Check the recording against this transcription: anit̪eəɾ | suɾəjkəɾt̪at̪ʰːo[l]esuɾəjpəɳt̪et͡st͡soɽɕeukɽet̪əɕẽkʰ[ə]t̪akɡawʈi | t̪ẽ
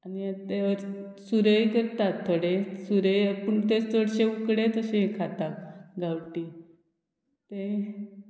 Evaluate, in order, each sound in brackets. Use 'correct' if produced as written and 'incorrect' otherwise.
incorrect, incorrect

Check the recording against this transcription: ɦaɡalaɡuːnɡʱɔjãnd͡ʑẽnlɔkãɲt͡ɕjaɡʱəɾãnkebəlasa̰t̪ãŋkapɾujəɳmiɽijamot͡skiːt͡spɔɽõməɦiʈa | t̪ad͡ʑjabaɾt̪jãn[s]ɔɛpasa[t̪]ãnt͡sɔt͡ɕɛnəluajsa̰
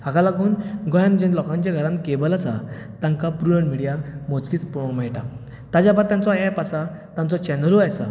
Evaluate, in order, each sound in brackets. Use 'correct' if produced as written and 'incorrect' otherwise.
incorrect, correct

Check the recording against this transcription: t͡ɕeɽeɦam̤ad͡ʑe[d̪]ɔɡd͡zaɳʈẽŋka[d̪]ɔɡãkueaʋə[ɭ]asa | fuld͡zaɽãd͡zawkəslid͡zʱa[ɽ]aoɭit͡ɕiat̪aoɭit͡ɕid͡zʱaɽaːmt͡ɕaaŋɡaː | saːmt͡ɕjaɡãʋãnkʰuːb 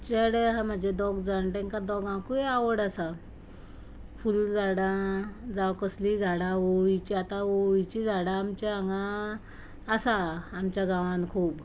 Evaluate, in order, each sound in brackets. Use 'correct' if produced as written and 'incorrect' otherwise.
correct, correct, incorrect, correct

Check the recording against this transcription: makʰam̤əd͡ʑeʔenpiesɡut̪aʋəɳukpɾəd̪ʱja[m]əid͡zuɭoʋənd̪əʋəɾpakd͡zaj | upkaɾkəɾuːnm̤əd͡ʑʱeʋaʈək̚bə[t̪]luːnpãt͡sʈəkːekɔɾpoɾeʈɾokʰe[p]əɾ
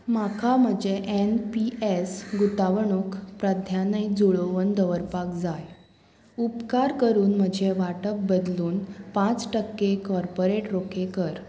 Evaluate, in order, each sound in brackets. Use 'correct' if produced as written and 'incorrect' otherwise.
incorrect, incorrect, incorrect

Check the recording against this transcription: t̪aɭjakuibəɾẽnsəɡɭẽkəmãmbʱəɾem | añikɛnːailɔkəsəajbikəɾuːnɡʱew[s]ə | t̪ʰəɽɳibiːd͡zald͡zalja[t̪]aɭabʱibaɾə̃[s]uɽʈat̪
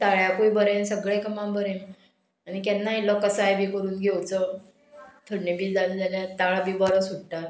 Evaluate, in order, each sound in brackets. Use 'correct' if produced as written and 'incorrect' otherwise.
incorrect, correct, correct

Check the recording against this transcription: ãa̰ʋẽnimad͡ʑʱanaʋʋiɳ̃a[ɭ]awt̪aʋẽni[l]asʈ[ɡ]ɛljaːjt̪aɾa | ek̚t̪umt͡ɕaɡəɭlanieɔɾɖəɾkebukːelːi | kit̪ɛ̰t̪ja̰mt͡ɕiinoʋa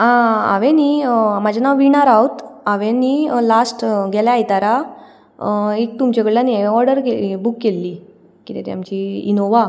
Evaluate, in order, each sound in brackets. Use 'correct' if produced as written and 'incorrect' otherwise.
incorrect, correct, correct

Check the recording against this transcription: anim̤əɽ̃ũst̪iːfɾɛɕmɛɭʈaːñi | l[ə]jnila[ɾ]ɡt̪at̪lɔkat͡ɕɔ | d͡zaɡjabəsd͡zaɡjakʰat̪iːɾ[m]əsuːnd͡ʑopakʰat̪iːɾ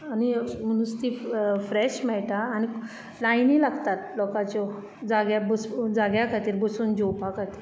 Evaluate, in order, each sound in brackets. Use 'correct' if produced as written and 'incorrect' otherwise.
incorrect, incorrect, incorrect

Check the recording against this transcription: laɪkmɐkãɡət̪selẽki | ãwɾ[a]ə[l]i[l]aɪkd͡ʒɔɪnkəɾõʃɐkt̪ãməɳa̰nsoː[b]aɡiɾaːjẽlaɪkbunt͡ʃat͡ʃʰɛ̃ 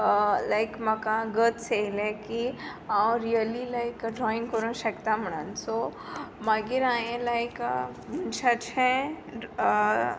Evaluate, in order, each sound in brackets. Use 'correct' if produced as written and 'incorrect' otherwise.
incorrect, correct, correct, incorrect

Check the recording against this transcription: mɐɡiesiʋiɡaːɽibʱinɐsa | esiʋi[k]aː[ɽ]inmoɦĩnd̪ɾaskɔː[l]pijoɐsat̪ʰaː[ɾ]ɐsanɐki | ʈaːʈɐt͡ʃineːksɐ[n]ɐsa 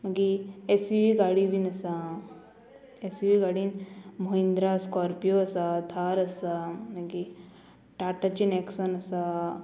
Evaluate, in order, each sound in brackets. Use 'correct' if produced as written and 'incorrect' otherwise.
incorrect, correct, incorrect, correct, correct

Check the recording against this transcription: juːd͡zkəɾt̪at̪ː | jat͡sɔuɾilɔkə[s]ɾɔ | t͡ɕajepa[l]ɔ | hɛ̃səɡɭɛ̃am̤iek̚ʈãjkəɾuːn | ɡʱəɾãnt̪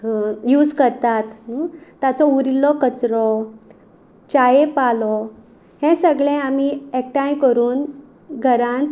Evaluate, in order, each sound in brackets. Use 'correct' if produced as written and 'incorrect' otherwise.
incorrect, correct

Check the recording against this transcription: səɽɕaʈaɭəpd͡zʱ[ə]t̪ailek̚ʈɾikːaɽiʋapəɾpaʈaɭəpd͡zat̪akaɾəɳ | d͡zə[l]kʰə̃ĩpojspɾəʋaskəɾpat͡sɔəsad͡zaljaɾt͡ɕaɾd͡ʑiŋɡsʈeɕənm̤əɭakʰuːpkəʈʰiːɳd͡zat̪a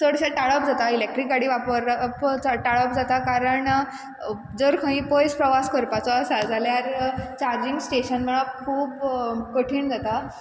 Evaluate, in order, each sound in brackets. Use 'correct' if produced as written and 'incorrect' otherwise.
incorrect, incorrect

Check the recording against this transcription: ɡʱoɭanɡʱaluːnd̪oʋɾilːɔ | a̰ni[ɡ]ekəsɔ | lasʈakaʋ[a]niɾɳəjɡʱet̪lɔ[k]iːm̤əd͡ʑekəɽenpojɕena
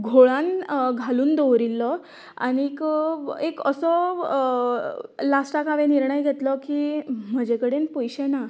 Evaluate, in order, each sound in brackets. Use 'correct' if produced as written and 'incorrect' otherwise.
incorrect, incorrect, correct

